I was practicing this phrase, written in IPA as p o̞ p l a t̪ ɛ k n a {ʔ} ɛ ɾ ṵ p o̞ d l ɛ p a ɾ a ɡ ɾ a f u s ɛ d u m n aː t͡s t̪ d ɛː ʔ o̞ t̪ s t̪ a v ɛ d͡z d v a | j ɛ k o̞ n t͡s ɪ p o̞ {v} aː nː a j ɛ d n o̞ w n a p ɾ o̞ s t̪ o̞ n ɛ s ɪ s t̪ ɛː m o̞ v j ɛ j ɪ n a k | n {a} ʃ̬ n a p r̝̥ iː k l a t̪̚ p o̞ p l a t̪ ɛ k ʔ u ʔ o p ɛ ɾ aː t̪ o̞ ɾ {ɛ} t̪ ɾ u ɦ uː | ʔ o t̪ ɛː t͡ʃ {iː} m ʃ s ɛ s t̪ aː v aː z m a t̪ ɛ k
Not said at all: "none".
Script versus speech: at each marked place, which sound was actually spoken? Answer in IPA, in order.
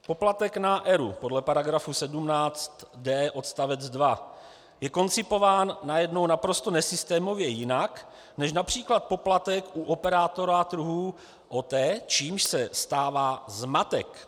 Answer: ʔ, v, ɛ, a, iː

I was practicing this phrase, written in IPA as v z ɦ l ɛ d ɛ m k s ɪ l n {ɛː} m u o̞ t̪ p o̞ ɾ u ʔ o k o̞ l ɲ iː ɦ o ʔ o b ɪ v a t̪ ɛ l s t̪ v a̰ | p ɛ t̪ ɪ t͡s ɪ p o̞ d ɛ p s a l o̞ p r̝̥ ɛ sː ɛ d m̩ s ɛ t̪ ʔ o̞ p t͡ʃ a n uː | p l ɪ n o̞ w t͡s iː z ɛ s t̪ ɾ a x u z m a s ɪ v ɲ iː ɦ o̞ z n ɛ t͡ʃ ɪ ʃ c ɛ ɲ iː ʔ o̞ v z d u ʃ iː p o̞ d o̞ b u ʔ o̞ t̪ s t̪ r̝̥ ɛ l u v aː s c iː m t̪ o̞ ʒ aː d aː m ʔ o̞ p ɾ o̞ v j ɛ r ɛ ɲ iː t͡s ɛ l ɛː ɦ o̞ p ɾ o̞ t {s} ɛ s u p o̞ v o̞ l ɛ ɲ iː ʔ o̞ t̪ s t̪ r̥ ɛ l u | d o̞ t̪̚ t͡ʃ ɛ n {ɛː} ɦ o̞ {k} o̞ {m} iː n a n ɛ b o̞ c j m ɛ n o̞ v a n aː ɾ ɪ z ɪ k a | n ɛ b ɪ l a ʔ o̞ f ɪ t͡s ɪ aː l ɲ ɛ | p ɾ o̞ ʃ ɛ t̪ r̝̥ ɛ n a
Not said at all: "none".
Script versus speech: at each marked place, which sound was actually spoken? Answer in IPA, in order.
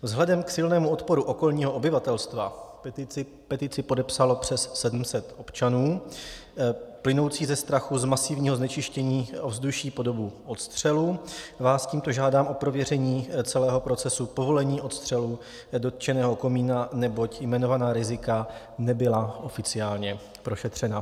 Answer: ɛː, t͡s, ɛː, k, m

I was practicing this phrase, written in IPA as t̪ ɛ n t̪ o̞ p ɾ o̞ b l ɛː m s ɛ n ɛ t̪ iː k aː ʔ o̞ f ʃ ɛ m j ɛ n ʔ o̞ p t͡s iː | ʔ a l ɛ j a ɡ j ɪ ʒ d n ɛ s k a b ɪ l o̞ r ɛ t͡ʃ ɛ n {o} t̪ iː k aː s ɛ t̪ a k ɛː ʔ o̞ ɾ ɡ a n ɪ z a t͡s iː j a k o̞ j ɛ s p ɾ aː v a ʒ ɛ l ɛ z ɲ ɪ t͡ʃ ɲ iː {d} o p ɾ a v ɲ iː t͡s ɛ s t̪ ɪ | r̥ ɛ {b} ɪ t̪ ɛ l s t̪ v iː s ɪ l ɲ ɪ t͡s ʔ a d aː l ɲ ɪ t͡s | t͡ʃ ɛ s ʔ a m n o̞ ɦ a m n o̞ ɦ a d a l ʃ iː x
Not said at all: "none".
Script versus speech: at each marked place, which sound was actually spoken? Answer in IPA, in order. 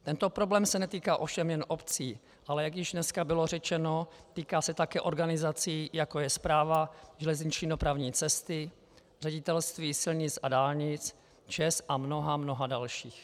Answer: o, d, ɟ

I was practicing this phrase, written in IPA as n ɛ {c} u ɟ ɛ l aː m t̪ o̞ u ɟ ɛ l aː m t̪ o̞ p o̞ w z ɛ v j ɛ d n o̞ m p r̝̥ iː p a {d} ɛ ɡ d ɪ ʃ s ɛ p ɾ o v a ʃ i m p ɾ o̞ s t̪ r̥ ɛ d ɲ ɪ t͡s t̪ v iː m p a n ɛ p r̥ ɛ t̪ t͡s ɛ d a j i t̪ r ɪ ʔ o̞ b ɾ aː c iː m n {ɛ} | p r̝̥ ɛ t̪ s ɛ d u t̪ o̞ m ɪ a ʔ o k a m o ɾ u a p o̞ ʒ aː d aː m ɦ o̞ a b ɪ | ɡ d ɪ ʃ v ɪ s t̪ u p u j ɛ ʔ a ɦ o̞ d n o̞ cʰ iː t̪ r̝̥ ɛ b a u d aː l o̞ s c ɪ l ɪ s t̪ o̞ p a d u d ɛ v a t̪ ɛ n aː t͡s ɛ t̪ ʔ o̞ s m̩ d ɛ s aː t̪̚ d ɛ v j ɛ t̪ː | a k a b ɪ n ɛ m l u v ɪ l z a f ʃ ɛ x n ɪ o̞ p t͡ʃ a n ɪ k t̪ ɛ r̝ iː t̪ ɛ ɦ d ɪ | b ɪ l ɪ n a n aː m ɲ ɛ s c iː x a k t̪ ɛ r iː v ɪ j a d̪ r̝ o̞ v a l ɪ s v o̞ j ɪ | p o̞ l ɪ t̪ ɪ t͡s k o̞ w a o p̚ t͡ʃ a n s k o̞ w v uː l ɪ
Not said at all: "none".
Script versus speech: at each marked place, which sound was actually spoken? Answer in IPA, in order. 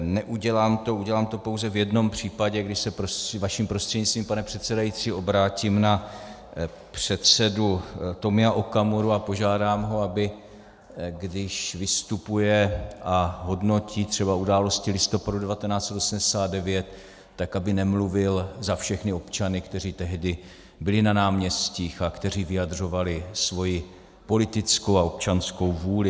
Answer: ʔ, ɟ, a

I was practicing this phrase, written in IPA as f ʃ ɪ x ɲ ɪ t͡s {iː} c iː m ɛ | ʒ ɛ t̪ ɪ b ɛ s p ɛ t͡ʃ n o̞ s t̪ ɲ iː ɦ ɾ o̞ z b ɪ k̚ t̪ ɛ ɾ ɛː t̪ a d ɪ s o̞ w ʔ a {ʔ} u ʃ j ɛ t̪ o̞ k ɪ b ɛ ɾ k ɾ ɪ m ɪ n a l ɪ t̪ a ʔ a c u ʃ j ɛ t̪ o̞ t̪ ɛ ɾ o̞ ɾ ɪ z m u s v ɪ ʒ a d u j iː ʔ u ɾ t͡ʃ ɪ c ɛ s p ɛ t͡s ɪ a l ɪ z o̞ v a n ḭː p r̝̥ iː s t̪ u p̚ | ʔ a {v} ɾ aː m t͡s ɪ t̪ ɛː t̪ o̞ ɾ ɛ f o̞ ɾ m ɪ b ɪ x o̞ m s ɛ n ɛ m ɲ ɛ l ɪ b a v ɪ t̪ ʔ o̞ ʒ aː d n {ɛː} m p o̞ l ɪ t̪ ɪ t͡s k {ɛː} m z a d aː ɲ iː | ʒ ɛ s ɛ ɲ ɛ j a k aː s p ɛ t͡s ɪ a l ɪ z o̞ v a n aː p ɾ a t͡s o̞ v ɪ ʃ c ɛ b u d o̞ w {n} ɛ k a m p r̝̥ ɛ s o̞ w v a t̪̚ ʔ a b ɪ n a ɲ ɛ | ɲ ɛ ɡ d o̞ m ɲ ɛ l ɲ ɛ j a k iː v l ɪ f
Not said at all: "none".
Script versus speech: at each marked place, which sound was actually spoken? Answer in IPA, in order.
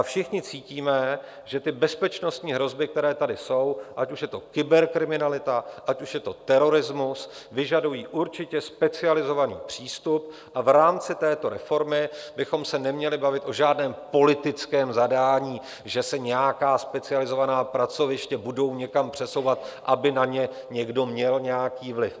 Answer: iː, c, v, ɛː, ɛː, ɲ

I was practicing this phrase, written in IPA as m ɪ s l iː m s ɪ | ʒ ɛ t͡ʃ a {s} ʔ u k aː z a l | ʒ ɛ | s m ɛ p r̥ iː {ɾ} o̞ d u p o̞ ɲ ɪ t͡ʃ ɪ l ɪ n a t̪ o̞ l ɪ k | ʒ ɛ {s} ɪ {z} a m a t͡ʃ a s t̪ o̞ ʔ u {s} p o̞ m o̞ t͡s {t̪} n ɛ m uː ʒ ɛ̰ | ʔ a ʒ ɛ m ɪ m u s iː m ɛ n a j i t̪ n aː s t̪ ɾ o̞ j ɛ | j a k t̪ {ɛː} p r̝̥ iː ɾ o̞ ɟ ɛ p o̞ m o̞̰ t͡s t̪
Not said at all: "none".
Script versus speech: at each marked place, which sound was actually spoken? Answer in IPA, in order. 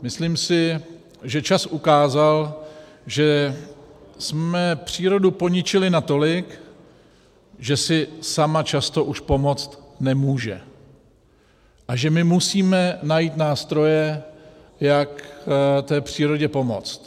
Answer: s, ɾ, s, s, ʃ, t̪, ɛː

